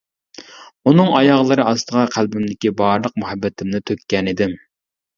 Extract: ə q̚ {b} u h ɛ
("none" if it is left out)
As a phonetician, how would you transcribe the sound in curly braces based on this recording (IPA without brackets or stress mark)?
m